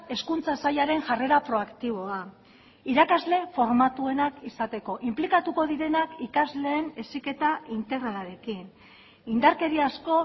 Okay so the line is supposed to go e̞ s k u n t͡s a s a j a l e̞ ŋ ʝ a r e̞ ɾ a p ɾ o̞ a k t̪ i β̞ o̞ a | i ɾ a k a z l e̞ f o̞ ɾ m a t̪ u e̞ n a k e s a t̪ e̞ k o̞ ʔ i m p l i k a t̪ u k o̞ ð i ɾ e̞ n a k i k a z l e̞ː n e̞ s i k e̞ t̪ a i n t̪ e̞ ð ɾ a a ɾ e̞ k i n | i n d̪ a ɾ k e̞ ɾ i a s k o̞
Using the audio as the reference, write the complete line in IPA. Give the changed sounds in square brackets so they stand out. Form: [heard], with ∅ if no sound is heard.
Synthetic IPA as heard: e̞ s k u n t͡s a s a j a [ɾ] e̞ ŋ ʝ a r e̞ ɾ a p ɾ o̞ a k t̪ i β̞ o̞ a | i ɾ a k a z l e̞ f o̞ ɾ m a t̪ u e̞ n a k [i] s a t̪ e̞ k o̞ ʔ i m p l i k a t̪ u k o̞ ð i ɾ e̞ n a k i k a z l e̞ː n e̞ s i k e̞ t̪ a i n t̪ e̞ [ɣ] ɾ a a ɾ e̞ k i n | i n d̪ a ɾ k e̞ ɾ i a s k o̞